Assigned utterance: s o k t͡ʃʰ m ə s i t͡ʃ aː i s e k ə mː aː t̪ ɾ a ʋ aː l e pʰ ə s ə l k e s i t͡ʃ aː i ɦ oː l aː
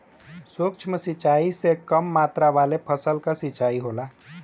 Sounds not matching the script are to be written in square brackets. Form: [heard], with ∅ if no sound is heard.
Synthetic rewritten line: s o k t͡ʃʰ m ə s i t͡ʃ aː i s e k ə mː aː t̪ ɾ a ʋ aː l e pʰ ə s ə l k [a] s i t͡ʃ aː i ɦ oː l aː